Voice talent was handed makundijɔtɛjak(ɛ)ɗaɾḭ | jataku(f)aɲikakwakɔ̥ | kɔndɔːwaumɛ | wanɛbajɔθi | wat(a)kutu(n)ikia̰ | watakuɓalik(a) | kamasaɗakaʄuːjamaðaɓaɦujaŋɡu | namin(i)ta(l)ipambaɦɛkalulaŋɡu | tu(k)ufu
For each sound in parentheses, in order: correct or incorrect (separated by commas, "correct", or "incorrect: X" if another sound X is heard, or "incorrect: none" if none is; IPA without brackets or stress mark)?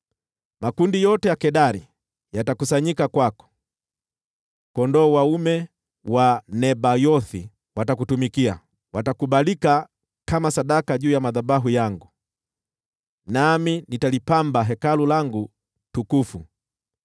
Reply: correct, incorrect: s, correct, incorrect: m, correct, correct, correct, correct